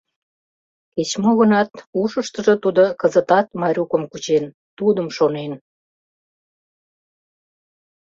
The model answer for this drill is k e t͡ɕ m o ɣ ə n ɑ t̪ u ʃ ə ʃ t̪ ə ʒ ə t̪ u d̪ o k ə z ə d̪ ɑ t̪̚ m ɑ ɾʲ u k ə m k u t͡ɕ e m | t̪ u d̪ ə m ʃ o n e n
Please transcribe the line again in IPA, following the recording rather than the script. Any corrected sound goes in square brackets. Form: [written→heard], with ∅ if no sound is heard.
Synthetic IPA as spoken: k e t͡ɕ m o ɣ ə n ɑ t̪ u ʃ ə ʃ t̪ ə ʒ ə t̪ u d̪ o k ə z ə [d̪→t̪] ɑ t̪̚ m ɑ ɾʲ u k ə m k u t͡ɕ e [m→n] | t̪ u d̪ ə m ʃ o n e n